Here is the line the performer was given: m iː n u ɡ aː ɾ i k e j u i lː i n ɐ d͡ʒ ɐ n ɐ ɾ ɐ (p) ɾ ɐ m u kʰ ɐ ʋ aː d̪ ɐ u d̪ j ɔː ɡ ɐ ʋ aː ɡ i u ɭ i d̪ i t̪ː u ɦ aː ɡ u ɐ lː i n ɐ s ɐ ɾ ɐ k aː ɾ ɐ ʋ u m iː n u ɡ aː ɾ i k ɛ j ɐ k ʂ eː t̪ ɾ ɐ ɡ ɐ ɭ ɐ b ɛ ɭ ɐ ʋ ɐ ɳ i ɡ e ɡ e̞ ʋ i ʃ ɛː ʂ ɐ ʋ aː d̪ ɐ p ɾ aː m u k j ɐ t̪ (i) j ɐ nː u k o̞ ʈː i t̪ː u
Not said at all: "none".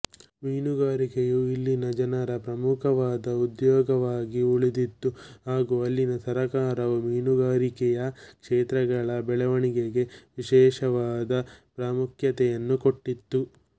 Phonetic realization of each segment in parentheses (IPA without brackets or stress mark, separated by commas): p, ɛ